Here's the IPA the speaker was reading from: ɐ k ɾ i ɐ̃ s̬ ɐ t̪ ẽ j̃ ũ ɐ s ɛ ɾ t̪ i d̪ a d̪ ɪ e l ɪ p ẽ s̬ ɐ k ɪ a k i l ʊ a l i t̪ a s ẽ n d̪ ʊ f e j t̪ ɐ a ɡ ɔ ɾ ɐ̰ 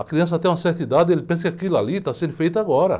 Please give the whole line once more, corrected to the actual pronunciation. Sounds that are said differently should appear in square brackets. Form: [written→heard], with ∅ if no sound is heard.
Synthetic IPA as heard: ɐ k ɾ i ɐ̃ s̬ ɐ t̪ ẽ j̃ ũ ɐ s ɛ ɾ t̪ i d̪ a d̪ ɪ e l ɪ p ẽ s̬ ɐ k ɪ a k i l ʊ a l i t̪ a s ẽ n d̪ ʊ f e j t̪ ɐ a ɡ ɔ ɾ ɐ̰